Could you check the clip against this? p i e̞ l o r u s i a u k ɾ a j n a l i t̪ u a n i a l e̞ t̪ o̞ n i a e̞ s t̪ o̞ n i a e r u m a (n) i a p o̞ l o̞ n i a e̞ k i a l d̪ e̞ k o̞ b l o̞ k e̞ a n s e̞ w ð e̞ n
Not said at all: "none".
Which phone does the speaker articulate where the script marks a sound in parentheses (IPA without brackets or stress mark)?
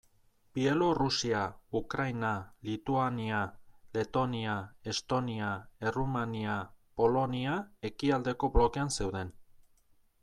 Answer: n